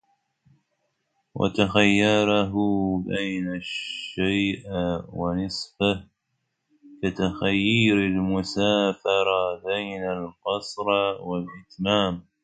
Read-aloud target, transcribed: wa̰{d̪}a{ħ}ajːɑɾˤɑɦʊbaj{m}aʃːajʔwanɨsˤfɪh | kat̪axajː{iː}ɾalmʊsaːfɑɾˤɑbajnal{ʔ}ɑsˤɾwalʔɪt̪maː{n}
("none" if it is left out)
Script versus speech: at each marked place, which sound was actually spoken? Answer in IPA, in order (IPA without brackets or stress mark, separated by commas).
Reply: t̪, x, n, iː, q, m